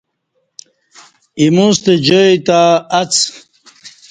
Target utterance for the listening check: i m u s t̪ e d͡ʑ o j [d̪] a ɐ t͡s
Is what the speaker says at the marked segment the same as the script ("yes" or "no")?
no